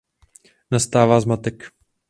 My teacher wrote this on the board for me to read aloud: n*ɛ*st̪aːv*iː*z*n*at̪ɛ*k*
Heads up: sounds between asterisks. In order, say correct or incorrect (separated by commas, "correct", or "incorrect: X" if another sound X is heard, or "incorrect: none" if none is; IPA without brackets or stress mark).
incorrect: a, incorrect: aː, incorrect: m, correct